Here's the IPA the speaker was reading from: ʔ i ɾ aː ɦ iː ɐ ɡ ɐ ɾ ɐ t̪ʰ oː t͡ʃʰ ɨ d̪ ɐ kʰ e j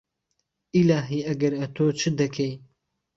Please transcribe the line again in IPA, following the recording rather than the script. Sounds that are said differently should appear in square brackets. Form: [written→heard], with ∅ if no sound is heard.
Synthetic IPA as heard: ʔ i [ɾ→l] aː ɦ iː ɐ ɡ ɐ ɾ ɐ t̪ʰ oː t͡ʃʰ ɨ d̪ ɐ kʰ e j